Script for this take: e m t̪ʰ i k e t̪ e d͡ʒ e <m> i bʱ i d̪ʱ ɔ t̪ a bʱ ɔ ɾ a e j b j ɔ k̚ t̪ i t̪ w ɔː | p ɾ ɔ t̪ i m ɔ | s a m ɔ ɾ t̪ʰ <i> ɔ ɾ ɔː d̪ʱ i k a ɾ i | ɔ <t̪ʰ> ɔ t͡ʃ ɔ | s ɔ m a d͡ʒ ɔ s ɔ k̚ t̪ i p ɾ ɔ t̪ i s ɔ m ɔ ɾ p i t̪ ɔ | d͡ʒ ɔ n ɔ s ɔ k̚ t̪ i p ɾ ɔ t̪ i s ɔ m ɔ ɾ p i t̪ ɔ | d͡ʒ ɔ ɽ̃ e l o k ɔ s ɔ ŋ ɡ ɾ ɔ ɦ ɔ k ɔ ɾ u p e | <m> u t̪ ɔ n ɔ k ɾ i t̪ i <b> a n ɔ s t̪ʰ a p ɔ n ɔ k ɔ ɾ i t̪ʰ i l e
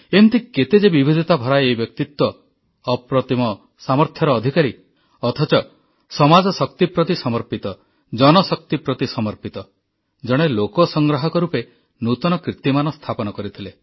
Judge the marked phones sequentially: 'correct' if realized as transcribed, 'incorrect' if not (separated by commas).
incorrect, incorrect, correct, incorrect, incorrect